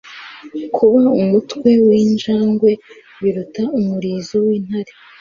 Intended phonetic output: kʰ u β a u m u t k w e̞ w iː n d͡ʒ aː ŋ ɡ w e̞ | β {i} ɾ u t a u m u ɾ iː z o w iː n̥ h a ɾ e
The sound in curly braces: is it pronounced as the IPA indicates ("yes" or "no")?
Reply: yes